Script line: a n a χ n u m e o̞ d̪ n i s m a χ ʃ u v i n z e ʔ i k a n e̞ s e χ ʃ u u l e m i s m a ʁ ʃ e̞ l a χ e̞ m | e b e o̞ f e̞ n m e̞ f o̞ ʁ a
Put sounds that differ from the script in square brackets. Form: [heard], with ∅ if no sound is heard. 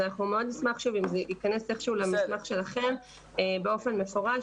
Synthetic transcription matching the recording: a n a χ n u m e o̞ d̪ n i s m a χ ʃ u v i [m] z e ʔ i k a n e̞ s e χ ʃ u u l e m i s m a [χ] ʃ e̞ l a χ e̞ m | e b e o̞ f e̞ n m e̞ f o̞ ʁ a